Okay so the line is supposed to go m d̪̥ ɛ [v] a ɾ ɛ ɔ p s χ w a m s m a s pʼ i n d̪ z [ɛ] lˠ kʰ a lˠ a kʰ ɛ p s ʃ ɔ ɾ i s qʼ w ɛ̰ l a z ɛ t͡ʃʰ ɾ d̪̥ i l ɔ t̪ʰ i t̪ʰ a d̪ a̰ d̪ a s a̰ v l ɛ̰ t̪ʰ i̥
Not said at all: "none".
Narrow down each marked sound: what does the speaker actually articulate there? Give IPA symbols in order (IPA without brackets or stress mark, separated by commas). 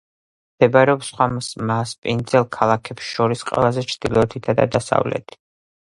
b, ɛ